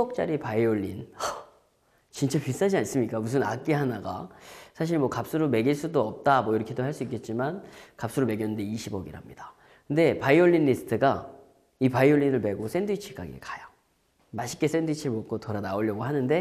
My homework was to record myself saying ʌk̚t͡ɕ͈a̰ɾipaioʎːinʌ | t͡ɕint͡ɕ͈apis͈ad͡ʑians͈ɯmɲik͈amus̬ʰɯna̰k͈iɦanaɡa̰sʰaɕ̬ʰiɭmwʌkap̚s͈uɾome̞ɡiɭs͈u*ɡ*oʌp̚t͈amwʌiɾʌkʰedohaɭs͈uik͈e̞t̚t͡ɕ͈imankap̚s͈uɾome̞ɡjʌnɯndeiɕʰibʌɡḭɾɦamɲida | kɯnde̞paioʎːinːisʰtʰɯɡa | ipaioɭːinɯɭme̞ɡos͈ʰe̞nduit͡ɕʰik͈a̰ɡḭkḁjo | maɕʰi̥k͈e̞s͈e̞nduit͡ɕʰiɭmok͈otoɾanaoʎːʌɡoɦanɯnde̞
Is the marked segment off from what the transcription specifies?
yes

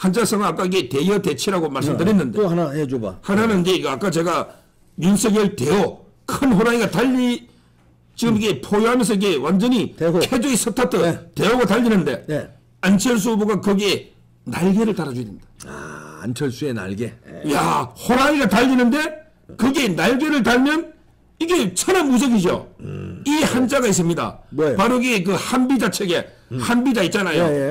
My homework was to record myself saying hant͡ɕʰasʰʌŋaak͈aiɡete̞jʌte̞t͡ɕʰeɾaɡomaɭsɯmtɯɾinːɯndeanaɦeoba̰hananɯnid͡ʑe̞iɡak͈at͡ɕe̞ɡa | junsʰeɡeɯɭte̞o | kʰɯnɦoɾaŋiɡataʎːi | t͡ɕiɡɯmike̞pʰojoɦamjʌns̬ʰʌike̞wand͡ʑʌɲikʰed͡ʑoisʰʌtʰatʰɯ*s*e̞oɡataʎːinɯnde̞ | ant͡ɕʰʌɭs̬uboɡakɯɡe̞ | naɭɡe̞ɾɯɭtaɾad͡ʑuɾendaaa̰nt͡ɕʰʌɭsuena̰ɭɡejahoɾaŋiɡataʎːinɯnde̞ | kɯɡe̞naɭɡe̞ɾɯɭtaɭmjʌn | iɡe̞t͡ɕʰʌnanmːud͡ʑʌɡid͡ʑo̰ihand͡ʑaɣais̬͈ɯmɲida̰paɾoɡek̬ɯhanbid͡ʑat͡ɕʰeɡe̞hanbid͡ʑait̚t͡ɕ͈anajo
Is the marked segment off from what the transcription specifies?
yes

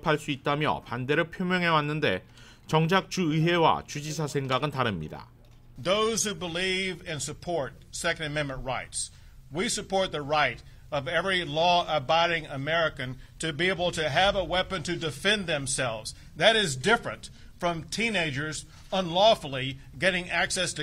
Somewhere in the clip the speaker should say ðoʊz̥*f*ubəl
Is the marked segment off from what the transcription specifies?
yes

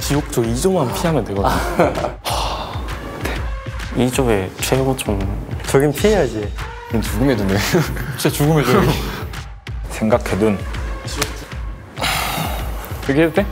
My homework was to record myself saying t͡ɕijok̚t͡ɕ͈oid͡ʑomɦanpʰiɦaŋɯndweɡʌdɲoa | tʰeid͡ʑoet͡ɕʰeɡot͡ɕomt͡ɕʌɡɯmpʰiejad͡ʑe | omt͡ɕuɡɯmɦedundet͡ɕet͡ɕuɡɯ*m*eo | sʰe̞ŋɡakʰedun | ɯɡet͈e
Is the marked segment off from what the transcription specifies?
no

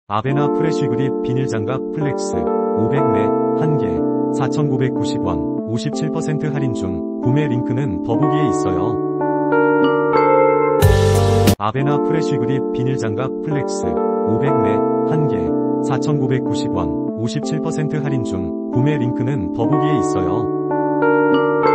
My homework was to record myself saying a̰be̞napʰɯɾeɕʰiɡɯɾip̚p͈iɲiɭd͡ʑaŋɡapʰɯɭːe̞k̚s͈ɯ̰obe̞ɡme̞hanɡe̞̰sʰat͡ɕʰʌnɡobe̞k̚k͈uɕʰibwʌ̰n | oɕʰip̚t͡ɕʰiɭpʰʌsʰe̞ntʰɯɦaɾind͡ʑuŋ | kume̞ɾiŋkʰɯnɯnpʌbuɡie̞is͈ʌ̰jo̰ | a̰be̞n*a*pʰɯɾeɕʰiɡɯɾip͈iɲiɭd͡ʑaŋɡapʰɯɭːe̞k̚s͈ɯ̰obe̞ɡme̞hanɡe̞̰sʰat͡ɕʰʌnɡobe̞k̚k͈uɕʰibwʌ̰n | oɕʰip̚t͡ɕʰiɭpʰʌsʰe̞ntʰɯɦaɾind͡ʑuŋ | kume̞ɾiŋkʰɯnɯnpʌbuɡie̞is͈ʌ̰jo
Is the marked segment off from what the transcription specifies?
no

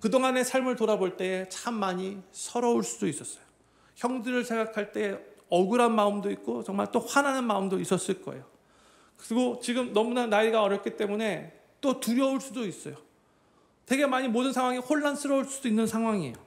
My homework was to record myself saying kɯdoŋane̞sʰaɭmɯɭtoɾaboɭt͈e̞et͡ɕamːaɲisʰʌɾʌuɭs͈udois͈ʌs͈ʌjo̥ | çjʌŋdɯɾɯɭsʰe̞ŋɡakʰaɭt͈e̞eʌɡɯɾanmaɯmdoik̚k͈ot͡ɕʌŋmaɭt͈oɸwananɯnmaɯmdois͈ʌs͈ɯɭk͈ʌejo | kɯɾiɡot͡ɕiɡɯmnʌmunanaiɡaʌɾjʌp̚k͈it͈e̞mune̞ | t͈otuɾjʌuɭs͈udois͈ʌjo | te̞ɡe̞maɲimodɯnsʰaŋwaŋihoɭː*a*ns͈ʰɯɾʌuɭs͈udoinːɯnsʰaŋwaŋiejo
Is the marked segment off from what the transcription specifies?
no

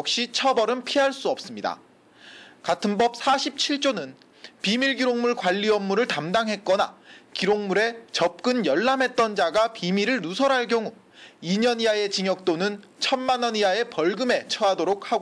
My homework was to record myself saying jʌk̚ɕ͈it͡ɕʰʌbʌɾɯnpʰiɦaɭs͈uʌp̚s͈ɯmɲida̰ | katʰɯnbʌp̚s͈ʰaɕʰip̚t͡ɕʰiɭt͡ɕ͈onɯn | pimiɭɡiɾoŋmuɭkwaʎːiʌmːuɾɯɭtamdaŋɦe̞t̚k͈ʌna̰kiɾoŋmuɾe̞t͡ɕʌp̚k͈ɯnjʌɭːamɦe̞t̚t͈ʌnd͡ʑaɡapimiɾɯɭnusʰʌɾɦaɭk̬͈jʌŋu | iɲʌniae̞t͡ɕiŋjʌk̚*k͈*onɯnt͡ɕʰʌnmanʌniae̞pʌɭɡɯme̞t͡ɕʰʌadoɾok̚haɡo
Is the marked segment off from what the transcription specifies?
yes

